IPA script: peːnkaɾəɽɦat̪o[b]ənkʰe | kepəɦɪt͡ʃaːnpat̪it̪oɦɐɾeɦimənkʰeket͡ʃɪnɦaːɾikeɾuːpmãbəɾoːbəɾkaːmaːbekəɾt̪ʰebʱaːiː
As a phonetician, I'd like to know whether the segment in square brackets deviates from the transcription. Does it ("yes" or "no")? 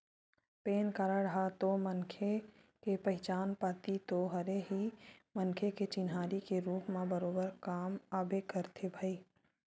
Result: yes